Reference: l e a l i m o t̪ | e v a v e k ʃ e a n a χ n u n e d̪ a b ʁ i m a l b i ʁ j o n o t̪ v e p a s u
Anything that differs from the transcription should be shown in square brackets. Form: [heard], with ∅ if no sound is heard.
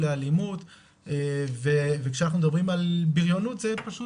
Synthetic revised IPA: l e a l i m [u] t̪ | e v [e] v e k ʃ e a n a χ n u [m] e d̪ a b ʁ i m a l b i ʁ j o n [u] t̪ [z] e p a [ʃ] u